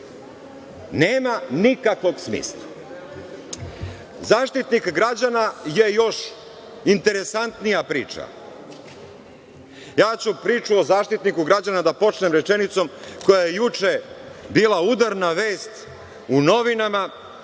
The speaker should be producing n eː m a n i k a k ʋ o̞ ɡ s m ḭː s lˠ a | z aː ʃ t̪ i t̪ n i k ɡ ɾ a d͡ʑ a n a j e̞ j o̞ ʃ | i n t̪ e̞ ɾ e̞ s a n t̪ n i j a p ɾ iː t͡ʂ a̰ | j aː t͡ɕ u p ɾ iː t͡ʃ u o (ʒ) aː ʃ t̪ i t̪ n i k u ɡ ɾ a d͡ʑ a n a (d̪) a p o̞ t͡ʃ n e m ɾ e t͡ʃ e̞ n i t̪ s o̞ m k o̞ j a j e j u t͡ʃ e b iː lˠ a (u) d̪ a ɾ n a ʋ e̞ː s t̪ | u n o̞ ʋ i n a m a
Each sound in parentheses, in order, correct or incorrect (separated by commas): incorrect, correct, correct